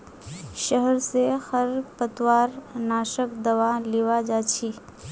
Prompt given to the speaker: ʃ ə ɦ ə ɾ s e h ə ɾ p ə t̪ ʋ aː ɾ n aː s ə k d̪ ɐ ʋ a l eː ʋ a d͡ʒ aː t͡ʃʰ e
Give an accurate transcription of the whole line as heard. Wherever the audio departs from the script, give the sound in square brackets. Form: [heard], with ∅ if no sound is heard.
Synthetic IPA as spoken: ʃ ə ɦ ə ɾ s e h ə ɾ p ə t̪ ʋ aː ɾ n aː [ʃ] ə k d̪ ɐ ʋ a l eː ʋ a d͡ʒ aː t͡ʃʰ [i]